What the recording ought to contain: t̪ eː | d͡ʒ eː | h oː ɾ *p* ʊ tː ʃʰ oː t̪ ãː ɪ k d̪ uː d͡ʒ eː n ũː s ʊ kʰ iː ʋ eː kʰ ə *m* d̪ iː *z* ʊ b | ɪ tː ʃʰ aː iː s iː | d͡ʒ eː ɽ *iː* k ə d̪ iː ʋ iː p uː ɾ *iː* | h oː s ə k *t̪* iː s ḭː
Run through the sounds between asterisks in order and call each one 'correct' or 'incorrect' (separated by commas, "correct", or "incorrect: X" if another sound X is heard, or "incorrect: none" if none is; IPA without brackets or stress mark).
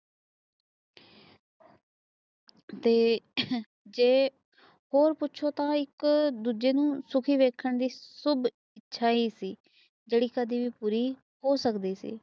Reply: correct, incorrect: ɳ, incorrect: s, correct, correct, incorrect: d̪